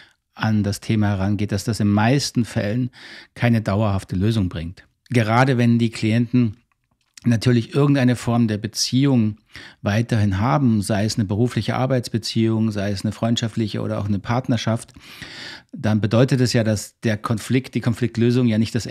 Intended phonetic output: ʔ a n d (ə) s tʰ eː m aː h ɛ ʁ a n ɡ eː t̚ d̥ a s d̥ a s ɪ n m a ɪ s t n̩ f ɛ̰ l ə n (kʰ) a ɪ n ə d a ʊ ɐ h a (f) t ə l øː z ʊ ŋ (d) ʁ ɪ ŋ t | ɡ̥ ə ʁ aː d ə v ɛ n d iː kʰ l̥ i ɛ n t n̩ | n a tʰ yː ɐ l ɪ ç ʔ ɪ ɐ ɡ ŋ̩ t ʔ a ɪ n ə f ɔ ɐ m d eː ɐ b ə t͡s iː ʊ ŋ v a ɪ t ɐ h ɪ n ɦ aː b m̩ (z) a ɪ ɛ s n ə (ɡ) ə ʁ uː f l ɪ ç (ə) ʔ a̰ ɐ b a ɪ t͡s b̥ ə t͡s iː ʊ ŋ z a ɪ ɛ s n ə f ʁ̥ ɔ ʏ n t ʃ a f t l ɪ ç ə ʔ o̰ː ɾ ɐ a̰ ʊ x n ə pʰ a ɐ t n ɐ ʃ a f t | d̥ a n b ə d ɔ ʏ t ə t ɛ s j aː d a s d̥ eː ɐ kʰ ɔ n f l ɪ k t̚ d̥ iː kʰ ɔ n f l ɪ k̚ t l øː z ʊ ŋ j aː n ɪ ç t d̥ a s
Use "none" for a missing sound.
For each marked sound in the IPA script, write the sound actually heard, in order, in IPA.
a, kʰ, f, b, z, b, ə

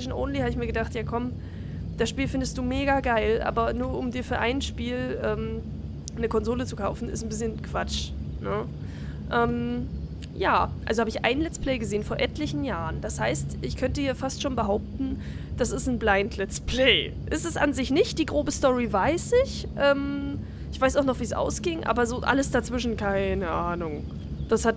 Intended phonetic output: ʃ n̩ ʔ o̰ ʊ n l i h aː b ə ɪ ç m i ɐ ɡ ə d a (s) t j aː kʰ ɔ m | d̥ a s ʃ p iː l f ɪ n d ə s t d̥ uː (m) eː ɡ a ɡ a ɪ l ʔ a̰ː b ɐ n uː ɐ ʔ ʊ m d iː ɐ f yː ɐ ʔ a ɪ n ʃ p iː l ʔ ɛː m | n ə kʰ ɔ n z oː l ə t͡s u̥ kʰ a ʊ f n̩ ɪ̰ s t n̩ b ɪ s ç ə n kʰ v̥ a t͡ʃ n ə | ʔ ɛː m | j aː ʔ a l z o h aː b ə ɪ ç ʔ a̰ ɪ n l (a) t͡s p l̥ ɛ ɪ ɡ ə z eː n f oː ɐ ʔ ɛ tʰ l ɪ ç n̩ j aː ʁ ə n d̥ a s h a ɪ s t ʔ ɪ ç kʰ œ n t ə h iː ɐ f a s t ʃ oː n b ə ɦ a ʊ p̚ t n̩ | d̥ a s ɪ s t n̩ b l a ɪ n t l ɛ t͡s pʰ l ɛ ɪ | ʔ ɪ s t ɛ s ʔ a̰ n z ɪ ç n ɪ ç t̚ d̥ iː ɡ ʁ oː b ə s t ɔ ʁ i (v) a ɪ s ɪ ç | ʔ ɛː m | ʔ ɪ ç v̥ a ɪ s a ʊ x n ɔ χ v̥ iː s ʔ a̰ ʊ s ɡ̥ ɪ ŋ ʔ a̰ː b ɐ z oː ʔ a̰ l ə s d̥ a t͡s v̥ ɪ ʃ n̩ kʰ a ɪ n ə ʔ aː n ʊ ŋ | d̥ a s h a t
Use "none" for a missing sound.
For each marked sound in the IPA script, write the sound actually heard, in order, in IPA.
χ, m, ɛ, v

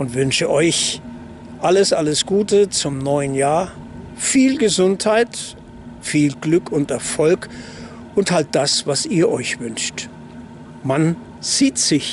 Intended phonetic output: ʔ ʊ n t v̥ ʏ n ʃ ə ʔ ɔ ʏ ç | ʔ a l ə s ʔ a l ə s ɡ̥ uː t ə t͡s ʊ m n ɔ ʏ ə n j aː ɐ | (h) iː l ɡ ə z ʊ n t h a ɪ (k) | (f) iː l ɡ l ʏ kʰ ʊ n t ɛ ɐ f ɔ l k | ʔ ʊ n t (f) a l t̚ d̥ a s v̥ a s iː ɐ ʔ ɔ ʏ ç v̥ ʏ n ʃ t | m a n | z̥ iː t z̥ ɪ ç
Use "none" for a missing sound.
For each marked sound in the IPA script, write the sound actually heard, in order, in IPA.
f, t, f, h

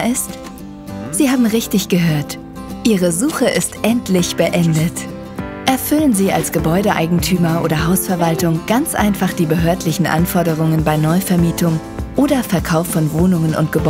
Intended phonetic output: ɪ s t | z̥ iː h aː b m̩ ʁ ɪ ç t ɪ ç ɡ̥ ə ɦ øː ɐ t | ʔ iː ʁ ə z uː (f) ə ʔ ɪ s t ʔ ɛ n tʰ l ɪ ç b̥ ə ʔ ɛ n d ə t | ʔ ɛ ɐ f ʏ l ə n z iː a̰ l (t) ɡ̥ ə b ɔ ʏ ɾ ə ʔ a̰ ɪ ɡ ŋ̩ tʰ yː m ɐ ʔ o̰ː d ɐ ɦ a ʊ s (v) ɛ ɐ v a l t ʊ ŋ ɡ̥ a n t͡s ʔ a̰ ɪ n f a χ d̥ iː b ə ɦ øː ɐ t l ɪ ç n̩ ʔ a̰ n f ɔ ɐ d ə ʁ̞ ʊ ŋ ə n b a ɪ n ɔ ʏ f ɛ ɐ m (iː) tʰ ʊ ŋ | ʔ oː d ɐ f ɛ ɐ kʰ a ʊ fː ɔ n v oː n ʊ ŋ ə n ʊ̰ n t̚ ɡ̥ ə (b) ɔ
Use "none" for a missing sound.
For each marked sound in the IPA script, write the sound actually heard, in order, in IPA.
χ, s, f, iː, b

